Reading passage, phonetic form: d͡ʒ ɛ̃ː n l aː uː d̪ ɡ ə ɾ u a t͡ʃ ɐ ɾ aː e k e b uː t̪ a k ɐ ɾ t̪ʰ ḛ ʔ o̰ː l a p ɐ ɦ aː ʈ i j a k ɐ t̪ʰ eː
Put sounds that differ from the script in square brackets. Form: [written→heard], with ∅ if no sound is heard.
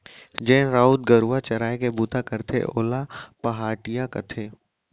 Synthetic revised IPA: d͡ʒ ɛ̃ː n [l→ɾ] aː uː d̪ ɡ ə ɾ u a t͡ʃ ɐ ɾ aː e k e b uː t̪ a k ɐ ɾ t̪ʰ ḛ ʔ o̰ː l a p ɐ ɦ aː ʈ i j a k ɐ t̪ʰ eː

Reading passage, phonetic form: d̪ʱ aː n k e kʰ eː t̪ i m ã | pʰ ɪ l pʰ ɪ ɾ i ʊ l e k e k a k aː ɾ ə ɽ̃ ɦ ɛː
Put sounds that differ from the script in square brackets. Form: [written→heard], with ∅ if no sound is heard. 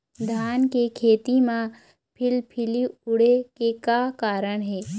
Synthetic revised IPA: d̪ʱ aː n k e kʰ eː t̪ i m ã | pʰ ɪ l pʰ ɪ [ɾ→l] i ʊ [l→ɽ] e k e k a k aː ɾ ə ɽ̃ ɦ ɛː

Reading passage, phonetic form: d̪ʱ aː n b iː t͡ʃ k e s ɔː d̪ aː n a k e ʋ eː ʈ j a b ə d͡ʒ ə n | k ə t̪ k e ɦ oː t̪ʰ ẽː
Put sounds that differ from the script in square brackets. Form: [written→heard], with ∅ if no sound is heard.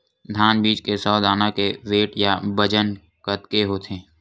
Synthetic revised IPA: d̪ʱ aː n b iː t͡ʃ k e s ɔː d̪ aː n a k e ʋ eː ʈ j a b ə d͡ʒ ə n | k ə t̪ k e ɦ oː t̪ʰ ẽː

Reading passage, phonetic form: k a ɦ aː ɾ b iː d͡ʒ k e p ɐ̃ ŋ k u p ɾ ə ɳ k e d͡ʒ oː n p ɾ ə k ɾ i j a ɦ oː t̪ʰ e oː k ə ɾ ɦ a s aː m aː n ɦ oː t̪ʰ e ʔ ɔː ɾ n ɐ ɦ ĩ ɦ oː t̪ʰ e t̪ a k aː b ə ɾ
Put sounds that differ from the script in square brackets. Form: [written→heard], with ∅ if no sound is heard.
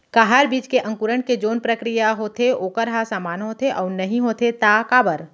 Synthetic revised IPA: k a ɦ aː ɾ b iː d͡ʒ k e [p→ʔ] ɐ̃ ŋ k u [p→∅] ɾ ə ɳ k e d͡ʒ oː n p ɾ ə k ɾ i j a ɦ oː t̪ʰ e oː k ə ɾ ɦ a s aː m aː n ɦ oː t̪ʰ e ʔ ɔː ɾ n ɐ ɦ ĩ ɦ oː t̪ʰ e t̪ a k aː b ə ɾ

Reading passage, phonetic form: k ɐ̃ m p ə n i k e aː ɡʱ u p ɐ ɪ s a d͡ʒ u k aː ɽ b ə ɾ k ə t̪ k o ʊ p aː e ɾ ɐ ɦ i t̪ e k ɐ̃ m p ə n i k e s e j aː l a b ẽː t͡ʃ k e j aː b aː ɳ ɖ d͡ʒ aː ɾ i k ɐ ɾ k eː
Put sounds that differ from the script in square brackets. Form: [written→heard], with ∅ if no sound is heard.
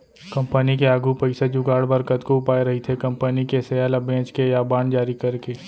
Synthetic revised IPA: k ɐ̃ m p ə n i k e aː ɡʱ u p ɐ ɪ s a d͡ʒ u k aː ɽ b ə ɾ k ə t̪ k o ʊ p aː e ɾ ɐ ɦ i [t̪→t̪ʰ] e k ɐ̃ m p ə n i k e s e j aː l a b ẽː t͡ʃ k e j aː b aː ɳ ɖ d͡ʒ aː ɾ i k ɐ ɾ k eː

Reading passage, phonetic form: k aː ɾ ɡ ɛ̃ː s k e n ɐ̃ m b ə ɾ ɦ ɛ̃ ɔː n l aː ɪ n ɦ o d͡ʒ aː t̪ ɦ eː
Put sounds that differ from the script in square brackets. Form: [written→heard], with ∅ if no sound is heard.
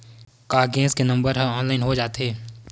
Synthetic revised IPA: k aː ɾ ɡ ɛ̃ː s k e n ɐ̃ m b ə ɾ ɦ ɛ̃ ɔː n l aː ɪ n ɦ o d͡ʒ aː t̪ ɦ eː

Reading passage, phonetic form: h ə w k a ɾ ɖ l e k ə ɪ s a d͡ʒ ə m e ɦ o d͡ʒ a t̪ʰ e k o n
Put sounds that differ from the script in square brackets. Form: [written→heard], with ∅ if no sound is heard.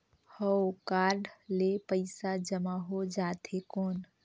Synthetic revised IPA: h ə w k a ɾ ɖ l e [k→p] ə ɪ s a d͡ʒ ə m [e→a] ɦ o d͡ʒ a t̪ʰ e k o n

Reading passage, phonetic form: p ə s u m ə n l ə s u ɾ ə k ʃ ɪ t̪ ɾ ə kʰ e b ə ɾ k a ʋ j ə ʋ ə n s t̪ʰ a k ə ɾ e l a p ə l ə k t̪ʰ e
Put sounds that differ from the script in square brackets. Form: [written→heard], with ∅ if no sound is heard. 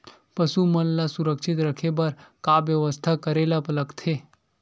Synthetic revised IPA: p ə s u m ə n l [ə→a] s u ɾ ə k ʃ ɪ t̪ ɾ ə kʰ e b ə ɾ k a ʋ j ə ʋ ə [n→∅] s t̪ʰ a k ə ɾ e l a p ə l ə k t̪ʰ e

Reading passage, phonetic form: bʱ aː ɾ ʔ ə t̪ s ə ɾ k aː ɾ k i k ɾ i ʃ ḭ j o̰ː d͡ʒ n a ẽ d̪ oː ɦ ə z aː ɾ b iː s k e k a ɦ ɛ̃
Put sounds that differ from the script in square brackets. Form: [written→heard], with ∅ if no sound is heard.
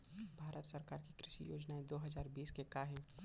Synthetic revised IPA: bʱ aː ɾ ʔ ə t̪ s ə ɾ k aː ɾ k i k ɾ [i→ɪ] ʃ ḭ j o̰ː d͡ʒ n a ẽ d̪ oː ɦ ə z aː ɾ b iː s k e k a ɦ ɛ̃

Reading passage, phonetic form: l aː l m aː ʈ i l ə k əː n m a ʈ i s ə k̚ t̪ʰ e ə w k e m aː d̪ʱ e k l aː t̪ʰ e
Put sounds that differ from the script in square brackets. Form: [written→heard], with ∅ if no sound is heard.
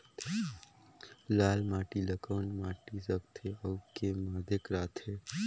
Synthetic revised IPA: l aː l m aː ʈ i l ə k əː n m a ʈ i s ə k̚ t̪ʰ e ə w k e m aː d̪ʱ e k [l→ɾ] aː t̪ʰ e

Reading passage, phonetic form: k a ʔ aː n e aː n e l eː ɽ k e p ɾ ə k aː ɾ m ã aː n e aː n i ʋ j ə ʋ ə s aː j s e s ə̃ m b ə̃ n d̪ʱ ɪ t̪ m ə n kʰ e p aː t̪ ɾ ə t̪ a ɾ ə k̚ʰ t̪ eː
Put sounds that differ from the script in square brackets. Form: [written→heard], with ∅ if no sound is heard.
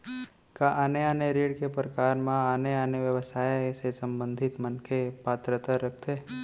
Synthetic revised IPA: k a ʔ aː n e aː n e [l→ɾ] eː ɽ k e p ɾ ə k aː ɾ m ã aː n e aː n [i→e] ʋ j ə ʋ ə s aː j s e s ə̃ m b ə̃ n d̪ʱ ɪ t̪ m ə n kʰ e p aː t̪ ɾ ə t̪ a ɾ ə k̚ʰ t̪ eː

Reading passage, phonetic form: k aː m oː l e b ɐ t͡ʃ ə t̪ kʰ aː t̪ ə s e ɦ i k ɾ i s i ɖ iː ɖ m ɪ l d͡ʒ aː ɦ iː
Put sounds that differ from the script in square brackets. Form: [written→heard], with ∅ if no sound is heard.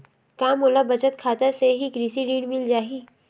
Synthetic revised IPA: k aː m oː l [e→a] b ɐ t͡ʃ ə t̪ kʰ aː t̪ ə s e ɦ i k ɾ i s i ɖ iː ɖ m ɪ l d͡ʒ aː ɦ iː

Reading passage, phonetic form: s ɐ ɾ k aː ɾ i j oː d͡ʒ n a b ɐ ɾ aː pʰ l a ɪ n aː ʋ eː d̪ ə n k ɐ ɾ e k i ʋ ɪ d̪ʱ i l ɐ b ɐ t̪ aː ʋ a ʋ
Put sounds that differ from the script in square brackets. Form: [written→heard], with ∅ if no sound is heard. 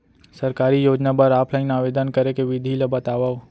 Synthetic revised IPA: s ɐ ɾ k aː ɾ i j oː d͡ʒ n a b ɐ ɾ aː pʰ l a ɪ n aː ʋ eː d̪ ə n k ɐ ɾ e k [i→e] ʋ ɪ d̪ʱ i l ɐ b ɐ t̪ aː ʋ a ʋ

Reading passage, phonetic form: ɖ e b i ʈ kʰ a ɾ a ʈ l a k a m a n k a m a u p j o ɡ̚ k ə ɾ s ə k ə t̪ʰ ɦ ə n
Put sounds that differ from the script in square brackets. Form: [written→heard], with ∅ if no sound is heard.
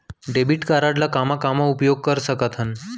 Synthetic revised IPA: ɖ e b i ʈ [kʰ→k] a ɾ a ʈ l a k a m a [n→∅] k a m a u p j o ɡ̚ k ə ɾ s ə k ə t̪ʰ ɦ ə n

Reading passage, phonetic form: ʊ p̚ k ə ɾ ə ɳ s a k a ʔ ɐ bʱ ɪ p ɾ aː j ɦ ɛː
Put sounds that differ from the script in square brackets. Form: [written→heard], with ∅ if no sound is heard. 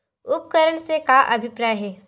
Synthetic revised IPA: ʊ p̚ k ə ɾ ə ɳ s [a→e] k a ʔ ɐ bʱ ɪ p ɾ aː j ɦ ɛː

